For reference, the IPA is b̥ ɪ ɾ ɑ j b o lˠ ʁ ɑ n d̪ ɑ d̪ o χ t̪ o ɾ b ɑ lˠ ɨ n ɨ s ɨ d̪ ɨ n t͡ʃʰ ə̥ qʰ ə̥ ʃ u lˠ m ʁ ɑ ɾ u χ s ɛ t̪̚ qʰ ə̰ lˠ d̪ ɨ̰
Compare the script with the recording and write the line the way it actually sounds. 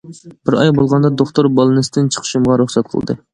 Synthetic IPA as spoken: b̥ ɪ ɾ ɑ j b o lˠ ʁ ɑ n d̪ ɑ d̪ o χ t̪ o ɾ b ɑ lˠ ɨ n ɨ s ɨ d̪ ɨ n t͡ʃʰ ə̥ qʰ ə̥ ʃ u m ʁ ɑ ɾ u χ s ɛ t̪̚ qʰ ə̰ lˠ d̪ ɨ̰